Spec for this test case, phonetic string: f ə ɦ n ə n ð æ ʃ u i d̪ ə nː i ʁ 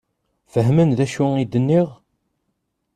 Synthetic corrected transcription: f ə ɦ m ə n ð æ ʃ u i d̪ ə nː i ʁ